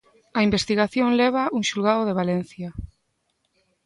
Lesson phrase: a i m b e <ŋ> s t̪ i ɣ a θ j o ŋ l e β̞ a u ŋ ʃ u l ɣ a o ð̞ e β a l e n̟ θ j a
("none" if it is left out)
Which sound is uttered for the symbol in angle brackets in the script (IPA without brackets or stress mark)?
none